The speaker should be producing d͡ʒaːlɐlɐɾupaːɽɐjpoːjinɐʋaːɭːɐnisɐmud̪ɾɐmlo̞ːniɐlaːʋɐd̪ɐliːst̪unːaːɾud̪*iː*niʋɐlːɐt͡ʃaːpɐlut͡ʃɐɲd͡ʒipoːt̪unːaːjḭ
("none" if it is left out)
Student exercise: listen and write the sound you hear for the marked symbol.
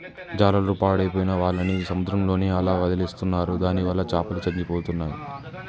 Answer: aː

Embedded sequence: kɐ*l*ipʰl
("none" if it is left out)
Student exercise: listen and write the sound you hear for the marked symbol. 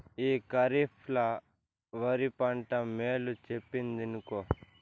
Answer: ɾ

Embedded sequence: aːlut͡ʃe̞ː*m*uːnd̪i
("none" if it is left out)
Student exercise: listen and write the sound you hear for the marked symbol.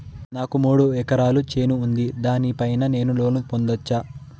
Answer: n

